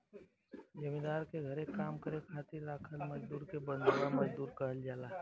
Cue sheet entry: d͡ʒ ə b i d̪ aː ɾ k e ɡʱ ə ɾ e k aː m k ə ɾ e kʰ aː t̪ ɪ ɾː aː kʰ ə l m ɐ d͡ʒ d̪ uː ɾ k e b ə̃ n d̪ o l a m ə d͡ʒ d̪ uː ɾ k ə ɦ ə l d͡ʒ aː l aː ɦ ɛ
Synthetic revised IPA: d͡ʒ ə m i d̪ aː ɾ k e ɡʱ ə ɾ e k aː m k ə ɾ e kʰ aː t̪ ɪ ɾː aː kʰ ə l m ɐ d͡ʒ d̪ uː ɾ k e b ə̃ n d̪ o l a m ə d͡ʒ d̪ uː ɾ k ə ɦ ə l d͡ʒ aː l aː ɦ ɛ